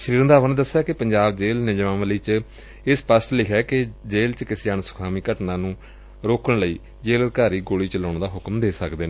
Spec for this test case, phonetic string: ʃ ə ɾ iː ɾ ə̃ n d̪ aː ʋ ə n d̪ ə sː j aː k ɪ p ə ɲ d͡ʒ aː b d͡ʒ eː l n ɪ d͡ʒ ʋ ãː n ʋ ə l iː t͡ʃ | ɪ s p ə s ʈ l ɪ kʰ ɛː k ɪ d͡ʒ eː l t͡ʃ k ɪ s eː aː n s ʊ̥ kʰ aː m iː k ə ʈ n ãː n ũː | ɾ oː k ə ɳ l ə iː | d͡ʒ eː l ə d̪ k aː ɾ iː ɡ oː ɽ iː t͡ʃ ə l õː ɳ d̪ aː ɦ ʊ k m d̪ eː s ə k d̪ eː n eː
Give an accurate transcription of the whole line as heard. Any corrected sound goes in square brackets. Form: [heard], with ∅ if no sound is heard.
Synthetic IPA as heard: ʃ ə ɾ iː ɾ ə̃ n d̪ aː ʋ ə n d̪ ə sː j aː k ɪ p ə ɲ d͡ʒ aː b d͡ʒ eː l n ɪ d͡ʒ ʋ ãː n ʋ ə l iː t͡ʃ | ɪ s p ə s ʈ l ɪ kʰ ɛː k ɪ d͡ʒ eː l t͡ʃ k ɪ s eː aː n s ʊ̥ kʰ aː m iː k ə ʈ n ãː n ũː | ɾ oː k ə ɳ l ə iː | d͡ʒ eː l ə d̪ k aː ɾ iː ɡ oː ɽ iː t͡ʃ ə l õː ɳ d̪ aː ɦ ʊ k m d̪ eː s ə k d̪ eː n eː

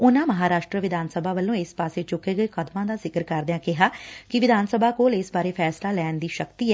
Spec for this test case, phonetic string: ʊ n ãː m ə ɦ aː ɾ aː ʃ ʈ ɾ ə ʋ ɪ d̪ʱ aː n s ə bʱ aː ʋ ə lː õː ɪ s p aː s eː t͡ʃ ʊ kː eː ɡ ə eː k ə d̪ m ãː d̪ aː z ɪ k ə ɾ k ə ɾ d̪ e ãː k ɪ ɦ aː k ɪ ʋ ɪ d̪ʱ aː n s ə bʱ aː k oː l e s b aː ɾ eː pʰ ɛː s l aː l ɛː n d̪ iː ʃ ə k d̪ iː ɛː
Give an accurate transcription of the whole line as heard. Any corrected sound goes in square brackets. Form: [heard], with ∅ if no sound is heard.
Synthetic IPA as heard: ʊ n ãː m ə ɦ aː ɾ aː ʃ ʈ ɾ ə ʋ ɪ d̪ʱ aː n s ə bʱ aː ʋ ə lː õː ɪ s p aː s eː t͡ʃ ʊ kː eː ɡ ə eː k ə d̪ m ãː d̪ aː z ɪ k ə ɾ k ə ɾ d̪ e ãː k ɪ ɦ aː k ɪ ʋ ɪ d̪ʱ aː n s ə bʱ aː k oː l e s b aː ɾ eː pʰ ɛː s l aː l ɛː n d̪ iː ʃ ə k [t̪] iː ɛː

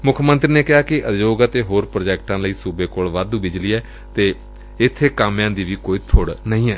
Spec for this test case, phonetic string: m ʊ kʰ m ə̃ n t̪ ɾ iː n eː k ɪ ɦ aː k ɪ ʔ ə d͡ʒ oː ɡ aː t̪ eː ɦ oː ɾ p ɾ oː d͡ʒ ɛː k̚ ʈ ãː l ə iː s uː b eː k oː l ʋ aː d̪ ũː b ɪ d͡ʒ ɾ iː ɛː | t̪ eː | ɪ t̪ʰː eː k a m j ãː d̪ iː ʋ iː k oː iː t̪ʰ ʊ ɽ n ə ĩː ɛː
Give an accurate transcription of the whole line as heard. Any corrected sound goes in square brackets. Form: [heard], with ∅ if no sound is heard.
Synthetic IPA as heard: m ʊ kʰ m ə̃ n t̪ ɾ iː n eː k ɪ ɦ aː k ɪ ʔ ə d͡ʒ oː ɡ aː t̪ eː ɦ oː ɾ p ɾ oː d͡ʒ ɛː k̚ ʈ ãː l ə iː s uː b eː k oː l ʋ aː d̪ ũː b ɪ d͡ʒ [l] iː ɛː | t̪ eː | ɪ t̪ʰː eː k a m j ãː d̪ iː ʋ iː k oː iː t̪ʰ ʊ ɽ n ə ĩː ɛː

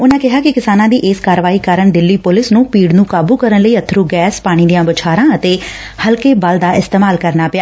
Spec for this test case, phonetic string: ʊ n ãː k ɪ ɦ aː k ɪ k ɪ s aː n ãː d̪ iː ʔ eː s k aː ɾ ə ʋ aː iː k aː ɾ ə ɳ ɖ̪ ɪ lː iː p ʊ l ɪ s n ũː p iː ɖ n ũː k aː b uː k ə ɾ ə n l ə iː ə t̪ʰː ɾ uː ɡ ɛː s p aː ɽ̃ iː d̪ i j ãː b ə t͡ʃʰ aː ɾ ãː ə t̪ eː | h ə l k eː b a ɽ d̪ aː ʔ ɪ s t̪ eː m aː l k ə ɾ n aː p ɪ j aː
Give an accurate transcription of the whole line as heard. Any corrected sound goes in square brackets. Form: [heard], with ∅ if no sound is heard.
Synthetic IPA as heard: ʊ n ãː k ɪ ɦ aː k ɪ k ɪ s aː n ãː d̪ iː ʔ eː s k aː ɾ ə ʋ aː iː k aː ɾ ə ɳ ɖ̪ ɪ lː iː p ʊ l ɪ s n ũː p iː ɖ n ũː k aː b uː k ə ɾ ə n l ə iː ə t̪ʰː ɾ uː ɡ ɛː s p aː ɽ̃ iː d̪ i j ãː b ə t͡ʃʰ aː ɾ ãː ə t̪ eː | h ə l k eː b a [l] d̪ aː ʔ ɪ s t̪ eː m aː l k ə ɾ n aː p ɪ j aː

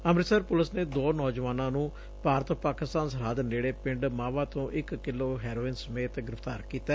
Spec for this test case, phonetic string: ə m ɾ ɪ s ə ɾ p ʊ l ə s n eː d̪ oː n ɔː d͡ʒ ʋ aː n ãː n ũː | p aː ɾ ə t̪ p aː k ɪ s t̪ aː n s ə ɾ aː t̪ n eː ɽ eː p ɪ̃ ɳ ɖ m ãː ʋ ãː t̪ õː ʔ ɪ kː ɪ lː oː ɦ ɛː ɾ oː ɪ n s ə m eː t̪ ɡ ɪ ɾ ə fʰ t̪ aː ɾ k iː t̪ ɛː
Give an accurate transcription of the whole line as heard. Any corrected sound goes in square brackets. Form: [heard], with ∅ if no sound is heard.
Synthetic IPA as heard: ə m ɾ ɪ s ə ɾ p ʊ l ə s n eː d̪ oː n ɔː d͡ʒ ʋ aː n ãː n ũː | p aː ɾ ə t̪ p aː k ɪ s t̪ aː n s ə ɾ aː [d̪] n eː ɽ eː p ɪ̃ ɳ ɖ m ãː ʋ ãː t̪ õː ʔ ɪ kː ɪ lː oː ɦ ɛː ɾ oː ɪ n s ə m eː t̪ ɡ ɪ ɾ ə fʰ t̪ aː ɾ k iː t̪ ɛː

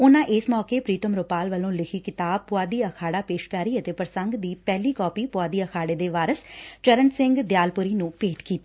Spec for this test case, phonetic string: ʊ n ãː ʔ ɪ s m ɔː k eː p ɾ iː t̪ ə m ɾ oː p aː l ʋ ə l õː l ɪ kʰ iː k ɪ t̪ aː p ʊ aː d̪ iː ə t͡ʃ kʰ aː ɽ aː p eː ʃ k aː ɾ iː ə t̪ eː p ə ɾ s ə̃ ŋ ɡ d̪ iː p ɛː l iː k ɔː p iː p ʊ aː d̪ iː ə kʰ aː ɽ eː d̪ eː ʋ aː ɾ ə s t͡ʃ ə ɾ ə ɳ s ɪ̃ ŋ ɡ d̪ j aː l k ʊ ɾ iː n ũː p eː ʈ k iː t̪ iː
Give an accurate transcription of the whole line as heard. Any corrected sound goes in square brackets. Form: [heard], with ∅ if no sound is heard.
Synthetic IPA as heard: ʊ n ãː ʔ ɪ s m ɔː k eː p ɾ iː t̪ ə m ɾ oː p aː l ʋ ə l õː l ɪ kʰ iː k ɪ t̪ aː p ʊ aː d̪ iː ə [∅] kʰ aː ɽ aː p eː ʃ k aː ɾ iː ə t̪ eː p ə ɾ s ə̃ ŋ ɡ d̪ iː p ɛː l iː k ɔː p iː p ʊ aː d̪ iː ə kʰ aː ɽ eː d̪ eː ʋ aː ɾ ə s t͡ʃ ə ɾ ə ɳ s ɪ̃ ŋ ɡ d̪ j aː l [p] ʊ ɾ iː n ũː p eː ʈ k iː t̪ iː

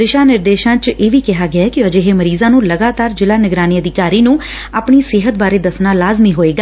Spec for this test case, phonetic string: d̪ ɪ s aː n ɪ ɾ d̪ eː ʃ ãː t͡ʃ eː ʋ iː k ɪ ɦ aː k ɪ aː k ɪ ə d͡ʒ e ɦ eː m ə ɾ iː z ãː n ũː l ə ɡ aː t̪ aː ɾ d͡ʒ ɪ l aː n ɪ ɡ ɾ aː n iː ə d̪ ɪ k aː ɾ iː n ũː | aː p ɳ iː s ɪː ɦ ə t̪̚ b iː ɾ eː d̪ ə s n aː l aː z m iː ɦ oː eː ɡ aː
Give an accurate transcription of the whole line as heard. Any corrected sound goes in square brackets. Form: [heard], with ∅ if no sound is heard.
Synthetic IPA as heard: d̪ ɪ [ʃ] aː n ɪ ɾ d̪ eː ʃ ãː t͡ʃ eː ʋ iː k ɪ ɦ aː [ɡ] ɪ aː k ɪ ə d͡ʒ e ɦ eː m ə ɾ iː z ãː n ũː l ə ɡ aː t̪ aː ɾ d͡ʒ ɪ l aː n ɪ ɡ ɾ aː n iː ə d̪ ɪ k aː ɾ iː n ũː | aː p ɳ iː s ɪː ɦ ə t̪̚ b [aː] ɾ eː d̪ ə s n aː l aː z m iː ɦ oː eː ɡ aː

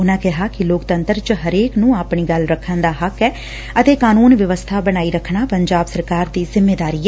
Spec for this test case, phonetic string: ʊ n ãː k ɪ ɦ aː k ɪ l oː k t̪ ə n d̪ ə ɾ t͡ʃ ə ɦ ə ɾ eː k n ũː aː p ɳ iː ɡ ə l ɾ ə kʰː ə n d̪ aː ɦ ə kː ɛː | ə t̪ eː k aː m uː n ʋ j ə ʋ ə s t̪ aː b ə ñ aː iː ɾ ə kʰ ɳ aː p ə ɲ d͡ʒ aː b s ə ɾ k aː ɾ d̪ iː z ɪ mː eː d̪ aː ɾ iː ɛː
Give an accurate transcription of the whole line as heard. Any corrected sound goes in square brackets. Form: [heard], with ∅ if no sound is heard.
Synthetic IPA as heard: ʊ n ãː k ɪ ɦ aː k ɪ l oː k t̪ ə n [t̪] ə ɾ t͡ʃ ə ɦ ə ɾ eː k n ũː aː p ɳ iː ɡ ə l ɾ ə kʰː ə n d̪ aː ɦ ə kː ɛː | ə t̪ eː k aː [n] uː n ʋ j ə ʋ ə s [t̪ʰ] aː b ə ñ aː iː ɾ ə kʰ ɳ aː p ə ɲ d͡ʒ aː b s ə ɾ k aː ɾ d̪ iː z ɪ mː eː d̪ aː ɾ iː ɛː

